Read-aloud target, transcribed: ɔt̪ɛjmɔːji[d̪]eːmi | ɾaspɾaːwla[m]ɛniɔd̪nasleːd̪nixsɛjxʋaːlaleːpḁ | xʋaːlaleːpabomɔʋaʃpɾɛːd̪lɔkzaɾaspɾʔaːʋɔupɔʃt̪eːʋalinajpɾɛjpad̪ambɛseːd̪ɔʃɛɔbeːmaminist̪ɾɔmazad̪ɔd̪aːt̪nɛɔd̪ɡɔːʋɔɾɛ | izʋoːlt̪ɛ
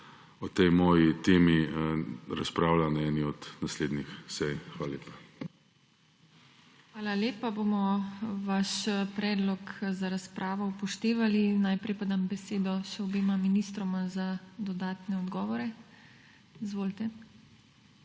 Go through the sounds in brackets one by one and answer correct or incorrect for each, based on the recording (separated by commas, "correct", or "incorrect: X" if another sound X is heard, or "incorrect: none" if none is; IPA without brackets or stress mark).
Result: incorrect: t̪, incorrect: n